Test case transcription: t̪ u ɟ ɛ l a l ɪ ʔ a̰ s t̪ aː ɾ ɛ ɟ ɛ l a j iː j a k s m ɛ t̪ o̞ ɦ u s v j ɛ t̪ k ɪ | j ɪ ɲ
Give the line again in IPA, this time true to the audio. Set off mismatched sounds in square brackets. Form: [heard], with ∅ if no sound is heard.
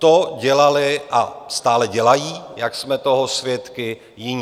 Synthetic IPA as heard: t̪ [o] ɟ ɛ l a l ɪ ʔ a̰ s t̪ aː [l] ɛ ɟ ɛ l a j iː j a k s m ɛ t̪ o̞ ɦ [o] s v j ɛ t̪ k ɪ | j ɪ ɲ